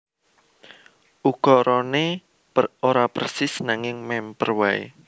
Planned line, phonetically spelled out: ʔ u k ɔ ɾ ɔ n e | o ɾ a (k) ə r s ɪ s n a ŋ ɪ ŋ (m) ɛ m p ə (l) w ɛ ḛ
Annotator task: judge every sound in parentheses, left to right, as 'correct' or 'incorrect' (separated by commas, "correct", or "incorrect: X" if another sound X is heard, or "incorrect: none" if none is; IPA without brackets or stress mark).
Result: incorrect: p, correct, incorrect: r